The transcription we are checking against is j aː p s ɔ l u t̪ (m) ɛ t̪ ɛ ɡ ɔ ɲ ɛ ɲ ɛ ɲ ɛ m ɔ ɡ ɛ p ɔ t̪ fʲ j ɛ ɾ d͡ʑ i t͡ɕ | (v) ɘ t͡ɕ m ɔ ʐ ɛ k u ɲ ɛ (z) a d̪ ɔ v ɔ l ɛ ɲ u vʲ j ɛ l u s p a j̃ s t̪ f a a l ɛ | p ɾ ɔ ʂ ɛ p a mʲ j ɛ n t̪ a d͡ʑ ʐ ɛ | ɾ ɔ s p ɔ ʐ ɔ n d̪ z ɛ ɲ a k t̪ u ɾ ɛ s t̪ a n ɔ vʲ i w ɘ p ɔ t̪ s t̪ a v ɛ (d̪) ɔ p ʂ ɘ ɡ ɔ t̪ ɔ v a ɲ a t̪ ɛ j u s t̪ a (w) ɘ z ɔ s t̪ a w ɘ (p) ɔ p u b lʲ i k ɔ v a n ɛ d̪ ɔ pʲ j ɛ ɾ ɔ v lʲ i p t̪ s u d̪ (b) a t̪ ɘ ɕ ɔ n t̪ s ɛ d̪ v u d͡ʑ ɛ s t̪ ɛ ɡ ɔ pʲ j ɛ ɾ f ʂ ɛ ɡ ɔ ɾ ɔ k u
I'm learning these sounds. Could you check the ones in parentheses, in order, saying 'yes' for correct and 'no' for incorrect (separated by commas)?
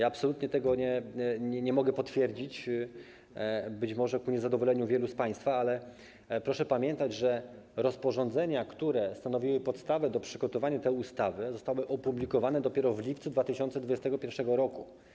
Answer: no, no, yes, yes, no, no, no